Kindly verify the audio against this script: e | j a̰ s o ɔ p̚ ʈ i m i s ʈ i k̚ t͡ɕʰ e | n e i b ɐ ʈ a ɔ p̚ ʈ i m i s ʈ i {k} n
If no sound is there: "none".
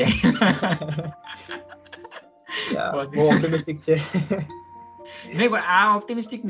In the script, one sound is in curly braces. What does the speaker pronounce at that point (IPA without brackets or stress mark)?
k